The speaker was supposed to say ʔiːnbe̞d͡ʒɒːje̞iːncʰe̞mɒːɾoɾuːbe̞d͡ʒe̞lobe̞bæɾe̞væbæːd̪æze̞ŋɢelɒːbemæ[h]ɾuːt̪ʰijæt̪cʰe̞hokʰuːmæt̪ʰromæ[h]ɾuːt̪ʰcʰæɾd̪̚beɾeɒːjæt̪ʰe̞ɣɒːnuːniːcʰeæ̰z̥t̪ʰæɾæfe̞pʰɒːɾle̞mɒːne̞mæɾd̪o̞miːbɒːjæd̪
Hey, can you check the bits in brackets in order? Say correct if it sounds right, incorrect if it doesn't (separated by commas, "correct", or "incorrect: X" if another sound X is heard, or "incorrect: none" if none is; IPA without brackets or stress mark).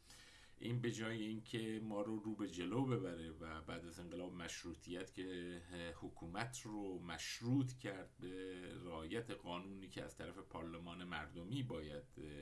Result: incorrect: ʃ, incorrect: ʃ